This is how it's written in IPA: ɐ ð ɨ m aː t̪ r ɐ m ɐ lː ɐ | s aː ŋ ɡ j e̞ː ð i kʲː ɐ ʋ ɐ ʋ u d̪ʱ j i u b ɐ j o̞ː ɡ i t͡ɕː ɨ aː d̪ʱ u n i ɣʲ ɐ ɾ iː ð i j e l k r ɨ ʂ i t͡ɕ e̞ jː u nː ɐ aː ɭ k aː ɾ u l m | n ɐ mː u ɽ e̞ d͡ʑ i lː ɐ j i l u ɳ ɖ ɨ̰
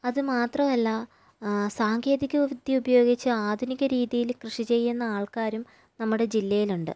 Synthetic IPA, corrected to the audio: ɐ ð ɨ m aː t̪ r ɐ m ɐ lː ɐ | s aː ŋ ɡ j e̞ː ð i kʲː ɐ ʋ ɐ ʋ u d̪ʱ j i u b ɐ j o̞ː ɡ i t͡ɕː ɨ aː d̪ʱ u n i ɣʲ ɐ ɾ iː ð i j i l k r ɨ ʂ i t͡ɕ e̞ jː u nː ɐ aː ɭ k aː ɾ u m | n ɐ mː u ɽ e̞ d͡ʑ i lː ɐ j i l u ɳ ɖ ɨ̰

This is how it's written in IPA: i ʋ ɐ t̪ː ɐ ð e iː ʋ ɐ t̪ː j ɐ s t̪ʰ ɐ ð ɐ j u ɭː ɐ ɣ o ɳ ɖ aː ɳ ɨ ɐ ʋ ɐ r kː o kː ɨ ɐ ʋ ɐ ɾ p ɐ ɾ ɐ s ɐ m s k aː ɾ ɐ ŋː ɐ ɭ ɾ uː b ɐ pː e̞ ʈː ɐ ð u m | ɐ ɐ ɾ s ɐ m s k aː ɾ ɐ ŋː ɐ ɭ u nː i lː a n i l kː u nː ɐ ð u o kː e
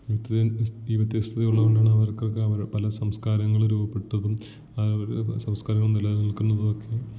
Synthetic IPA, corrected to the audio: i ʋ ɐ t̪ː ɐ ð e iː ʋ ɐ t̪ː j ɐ s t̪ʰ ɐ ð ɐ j u ɭː ɐ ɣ o ɳ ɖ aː ɳ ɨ ɐ ʋ ɐ r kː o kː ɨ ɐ ʋ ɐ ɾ p ɐ l ɐ s ɐ m s k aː ɾ ɐ ŋː ɐ ɭ ɾ uː b ɐ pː e̞ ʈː ɐ ð u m | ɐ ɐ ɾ s ɐ m s k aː ɾ ɐ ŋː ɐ ɭ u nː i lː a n i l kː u nː ɐ ð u o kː e

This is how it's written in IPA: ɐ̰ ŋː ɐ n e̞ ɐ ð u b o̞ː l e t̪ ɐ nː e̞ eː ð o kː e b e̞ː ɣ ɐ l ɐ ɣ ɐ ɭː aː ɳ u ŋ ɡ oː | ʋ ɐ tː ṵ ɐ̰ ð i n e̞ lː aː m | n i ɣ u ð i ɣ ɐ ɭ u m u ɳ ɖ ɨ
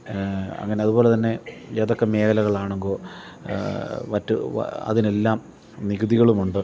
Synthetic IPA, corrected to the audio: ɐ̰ ŋː ɐ n e̞ ɐ ð u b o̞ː l e t̪ ɐ nː e̞ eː ð o kː e m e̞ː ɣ ɐ l ɐ ɣ ɐ ɭ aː ɳ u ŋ ɡ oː | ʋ ɐ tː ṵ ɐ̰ ð i n e̞ lː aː m | n i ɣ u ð i ɣ ɐ ɭ u m u ɳ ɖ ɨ

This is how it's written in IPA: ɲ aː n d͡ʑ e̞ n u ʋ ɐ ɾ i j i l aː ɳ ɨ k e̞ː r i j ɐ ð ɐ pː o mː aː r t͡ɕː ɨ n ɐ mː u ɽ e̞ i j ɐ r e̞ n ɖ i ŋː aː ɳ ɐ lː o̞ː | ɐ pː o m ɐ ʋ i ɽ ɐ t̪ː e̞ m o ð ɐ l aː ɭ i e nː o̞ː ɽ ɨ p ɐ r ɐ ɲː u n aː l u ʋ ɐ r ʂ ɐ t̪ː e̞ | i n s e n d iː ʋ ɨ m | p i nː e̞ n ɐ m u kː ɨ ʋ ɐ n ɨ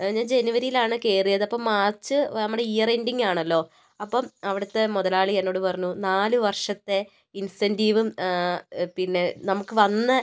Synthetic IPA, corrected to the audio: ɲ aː n d͡ʑ e̞ n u ʋ ɐ ɾ i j i l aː ɳ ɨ k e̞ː r i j ɐ ð ɐ pː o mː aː r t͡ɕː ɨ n ɐ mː u ɽ e̞ i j ɐ r e̞ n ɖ i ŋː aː ɳ ɐ lː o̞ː | ɐ pː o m ɐ ʋ i ɽ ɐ t̪ː e̞ m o ð ɐ l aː ɭ i e nː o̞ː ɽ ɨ p ɐ r ɐ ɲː u n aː l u ʋ ɐ r ʂ ɐ t̪ː e̞ | i n s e n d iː ʋ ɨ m | p i nː e̞ n ɐ m u kː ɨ ʋ ɐ nː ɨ

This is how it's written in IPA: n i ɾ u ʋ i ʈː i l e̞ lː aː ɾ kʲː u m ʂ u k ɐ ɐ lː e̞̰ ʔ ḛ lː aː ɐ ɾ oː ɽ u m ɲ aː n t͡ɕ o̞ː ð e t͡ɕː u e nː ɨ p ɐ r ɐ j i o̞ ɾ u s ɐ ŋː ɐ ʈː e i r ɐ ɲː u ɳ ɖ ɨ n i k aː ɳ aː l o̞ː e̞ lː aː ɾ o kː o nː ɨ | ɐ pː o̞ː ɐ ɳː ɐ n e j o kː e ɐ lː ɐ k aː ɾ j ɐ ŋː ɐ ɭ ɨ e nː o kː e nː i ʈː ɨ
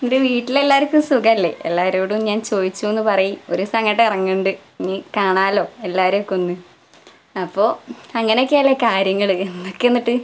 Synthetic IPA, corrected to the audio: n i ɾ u ʋ iː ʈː i l e̞ lː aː ɾ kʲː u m s u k ɐ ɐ lː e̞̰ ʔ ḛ lː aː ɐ ɾ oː ɽ u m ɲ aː n t͡ɕ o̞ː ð i t͡ɕː u e nː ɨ p ɐ r ɐ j i o̞ ɾ u s ɐ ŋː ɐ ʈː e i r ɐ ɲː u ɳ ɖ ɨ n i k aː ɳ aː l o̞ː e̞ lː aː ɾ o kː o nː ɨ | ɐ pː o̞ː ɐ ŋː ɐ n e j o kː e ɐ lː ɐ k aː ɾ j ɐ ŋː ɐ ɭ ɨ e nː o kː e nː i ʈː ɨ

